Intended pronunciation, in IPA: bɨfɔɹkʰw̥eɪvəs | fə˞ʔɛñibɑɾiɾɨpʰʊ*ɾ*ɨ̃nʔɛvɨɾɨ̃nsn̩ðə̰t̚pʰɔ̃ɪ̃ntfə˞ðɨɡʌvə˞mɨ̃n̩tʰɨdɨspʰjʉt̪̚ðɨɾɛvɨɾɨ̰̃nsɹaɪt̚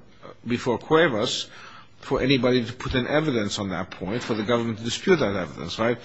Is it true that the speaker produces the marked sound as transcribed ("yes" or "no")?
yes